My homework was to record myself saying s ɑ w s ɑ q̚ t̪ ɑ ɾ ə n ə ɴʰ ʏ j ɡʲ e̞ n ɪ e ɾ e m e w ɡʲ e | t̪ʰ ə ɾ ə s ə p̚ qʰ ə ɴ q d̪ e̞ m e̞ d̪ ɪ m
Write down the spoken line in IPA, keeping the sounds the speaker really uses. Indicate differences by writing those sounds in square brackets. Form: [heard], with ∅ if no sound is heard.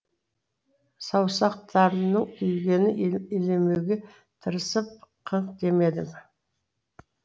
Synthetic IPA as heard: s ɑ w s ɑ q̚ t̪ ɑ ɾ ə n ə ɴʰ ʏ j ɡʲ e̞ n ɪ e [l] e m e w ɡʲ e | t̪ʰ ə ɾ ə s ə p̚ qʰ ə ɴ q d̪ e̞ m e̞ d̪ ɪ m